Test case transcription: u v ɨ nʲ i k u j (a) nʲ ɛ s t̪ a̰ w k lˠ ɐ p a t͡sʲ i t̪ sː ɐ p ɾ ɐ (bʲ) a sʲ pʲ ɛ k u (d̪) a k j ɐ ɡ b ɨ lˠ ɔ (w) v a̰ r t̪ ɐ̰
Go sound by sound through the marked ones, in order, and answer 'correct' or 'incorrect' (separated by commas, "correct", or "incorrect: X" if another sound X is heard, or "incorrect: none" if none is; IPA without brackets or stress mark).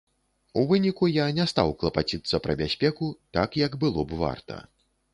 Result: correct, correct, incorrect: t̪, incorrect: b